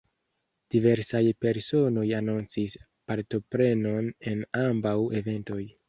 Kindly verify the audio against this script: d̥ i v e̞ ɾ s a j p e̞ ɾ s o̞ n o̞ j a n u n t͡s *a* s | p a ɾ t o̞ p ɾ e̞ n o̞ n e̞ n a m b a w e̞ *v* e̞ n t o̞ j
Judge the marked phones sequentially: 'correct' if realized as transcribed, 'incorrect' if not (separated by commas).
incorrect, correct